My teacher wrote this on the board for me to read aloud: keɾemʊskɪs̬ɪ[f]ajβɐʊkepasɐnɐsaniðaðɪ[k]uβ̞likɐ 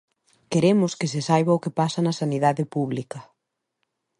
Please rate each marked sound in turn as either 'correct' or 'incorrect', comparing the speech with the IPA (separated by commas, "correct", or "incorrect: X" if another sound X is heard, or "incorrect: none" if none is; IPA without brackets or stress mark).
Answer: incorrect: s, incorrect: p